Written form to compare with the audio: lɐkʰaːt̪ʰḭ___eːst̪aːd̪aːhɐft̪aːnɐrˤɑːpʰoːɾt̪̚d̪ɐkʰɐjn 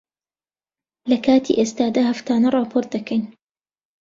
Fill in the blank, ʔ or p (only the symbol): ʔ